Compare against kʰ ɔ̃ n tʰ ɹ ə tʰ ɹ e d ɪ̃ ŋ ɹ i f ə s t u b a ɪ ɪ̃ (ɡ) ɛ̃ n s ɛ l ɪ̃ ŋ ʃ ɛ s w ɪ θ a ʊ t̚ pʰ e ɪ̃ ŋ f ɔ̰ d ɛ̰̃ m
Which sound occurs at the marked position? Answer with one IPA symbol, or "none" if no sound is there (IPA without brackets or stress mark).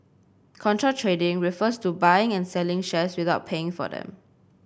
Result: ŋ